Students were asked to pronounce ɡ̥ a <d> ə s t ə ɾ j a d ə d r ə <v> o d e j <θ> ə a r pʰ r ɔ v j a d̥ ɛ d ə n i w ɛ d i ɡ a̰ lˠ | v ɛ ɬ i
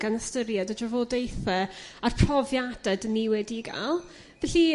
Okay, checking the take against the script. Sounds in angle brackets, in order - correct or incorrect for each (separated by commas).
incorrect, correct, correct